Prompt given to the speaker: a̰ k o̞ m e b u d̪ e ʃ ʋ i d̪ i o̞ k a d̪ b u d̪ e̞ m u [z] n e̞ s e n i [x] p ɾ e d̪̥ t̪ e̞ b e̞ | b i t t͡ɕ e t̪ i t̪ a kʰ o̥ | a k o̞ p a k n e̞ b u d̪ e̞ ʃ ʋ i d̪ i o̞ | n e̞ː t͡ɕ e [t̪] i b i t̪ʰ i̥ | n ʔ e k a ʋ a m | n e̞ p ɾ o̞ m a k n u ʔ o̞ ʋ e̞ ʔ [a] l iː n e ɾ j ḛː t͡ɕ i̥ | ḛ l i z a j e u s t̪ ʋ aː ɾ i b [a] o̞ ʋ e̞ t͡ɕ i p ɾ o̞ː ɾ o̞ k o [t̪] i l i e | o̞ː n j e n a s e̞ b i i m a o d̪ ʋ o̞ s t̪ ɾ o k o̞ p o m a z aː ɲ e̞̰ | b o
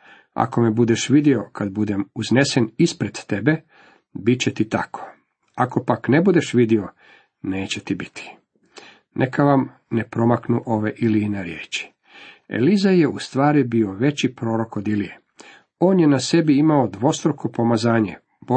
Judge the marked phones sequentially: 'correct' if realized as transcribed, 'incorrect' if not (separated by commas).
correct, incorrect, correct, incorrect, incorrect, incorrect